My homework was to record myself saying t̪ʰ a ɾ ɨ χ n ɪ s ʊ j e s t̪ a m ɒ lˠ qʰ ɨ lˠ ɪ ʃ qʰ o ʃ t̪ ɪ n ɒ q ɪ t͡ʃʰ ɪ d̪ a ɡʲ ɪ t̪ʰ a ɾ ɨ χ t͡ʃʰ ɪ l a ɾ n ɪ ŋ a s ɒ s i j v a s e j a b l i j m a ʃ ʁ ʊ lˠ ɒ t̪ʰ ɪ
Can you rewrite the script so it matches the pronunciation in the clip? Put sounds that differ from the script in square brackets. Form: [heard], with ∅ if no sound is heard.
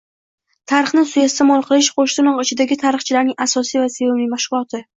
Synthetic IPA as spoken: t̪ʰ a ɾ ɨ χ n ɪ s ʊ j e s t̪ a m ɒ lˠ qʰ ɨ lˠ ɪ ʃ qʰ o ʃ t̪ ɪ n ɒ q ɪ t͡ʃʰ ɪ d̪ a ɡʲ ɪ t̪ʰ a ɾ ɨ χ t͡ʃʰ ɪ l a ɾ n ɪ ŋ a s ɒ s i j v a s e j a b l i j m a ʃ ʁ ʊ lˠ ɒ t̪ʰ ɪ